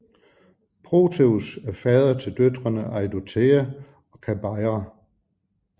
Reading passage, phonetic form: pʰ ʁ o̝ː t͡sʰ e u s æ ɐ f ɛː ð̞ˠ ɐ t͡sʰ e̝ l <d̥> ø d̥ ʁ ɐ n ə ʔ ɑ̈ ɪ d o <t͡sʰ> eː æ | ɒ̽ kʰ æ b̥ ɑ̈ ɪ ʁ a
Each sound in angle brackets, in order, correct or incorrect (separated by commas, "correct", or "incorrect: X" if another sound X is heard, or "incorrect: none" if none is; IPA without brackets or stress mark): correct, correct